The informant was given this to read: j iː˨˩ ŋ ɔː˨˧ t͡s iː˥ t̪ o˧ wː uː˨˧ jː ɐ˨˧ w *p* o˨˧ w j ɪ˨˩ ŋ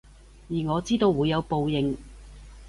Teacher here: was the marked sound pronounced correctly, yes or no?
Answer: yes